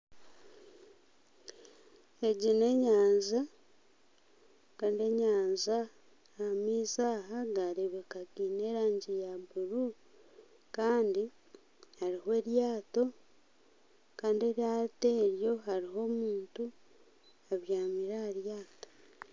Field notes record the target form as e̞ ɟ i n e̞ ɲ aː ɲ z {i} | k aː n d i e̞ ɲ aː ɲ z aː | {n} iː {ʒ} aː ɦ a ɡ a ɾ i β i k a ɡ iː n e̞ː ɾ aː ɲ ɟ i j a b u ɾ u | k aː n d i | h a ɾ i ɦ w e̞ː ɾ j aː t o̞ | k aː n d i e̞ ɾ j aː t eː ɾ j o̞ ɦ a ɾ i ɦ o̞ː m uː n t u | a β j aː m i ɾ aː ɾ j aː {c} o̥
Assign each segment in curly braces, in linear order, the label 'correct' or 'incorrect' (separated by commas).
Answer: incorrect, incorrect, incorrect, incorrect